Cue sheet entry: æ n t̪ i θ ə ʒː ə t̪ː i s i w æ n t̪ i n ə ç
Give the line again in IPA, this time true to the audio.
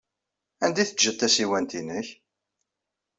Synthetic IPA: æ n d̪ i θ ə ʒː ə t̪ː æ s i w æ n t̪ i n ə ç